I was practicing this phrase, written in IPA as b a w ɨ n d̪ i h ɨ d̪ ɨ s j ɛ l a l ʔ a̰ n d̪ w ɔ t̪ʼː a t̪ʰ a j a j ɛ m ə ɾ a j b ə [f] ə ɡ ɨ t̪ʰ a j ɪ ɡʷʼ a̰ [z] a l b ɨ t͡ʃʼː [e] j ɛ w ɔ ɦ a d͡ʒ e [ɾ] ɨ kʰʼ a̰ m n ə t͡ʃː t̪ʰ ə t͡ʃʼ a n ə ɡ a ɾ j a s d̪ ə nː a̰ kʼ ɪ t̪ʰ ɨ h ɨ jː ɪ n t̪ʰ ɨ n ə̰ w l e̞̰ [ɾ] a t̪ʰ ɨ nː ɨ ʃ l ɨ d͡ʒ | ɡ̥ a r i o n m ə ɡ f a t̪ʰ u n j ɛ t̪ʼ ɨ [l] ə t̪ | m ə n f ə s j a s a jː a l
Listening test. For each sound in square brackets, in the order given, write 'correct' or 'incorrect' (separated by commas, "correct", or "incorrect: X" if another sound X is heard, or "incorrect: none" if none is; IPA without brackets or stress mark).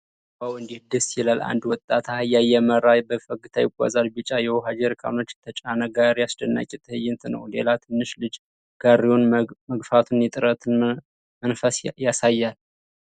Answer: correct, correct, incorrect: a, correct, incorrect: l, incorrect: ɾ